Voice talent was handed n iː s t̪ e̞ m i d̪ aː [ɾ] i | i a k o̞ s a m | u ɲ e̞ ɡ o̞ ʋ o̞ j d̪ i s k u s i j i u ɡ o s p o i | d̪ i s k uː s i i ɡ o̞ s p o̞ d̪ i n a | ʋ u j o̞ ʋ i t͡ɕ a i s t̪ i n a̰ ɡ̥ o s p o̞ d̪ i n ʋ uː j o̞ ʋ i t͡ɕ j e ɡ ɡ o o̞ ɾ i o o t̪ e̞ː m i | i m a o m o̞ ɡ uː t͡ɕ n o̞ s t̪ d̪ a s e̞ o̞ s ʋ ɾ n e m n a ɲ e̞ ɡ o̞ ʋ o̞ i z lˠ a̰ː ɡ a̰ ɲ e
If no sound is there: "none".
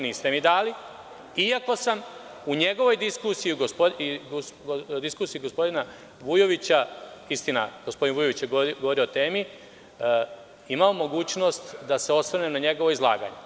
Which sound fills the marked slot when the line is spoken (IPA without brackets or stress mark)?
l